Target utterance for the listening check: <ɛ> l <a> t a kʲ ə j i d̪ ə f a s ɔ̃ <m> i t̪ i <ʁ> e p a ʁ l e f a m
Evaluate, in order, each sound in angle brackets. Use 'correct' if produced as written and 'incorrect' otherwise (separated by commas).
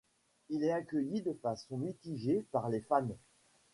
incorrect, incorrect, correct, incorrect